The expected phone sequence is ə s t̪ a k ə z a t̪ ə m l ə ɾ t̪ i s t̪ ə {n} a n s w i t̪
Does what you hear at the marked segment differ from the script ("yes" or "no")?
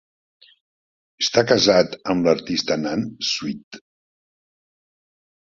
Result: no